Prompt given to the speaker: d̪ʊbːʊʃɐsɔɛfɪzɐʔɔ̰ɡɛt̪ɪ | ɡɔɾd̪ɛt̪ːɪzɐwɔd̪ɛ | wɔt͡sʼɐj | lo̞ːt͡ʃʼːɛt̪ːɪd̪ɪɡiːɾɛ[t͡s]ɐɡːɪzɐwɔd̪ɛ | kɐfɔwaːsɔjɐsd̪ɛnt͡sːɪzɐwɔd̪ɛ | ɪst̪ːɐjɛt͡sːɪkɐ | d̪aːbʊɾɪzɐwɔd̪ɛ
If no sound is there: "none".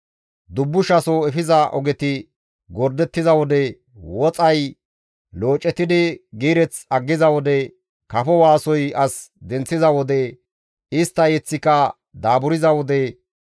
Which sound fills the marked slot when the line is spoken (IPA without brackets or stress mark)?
t͡s